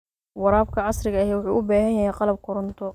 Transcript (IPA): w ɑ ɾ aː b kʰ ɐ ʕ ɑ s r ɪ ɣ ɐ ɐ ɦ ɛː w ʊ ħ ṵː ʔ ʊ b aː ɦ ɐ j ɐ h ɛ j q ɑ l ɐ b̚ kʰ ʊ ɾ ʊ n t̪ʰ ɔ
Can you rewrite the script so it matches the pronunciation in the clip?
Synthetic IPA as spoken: w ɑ ɾ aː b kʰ ɐ ʕ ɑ s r ɪ ɣ ɐ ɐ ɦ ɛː w ʊ ħ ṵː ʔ ʊ b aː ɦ ɐ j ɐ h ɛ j q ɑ l ɐ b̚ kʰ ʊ ɾ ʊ n t̪ʰ ɔ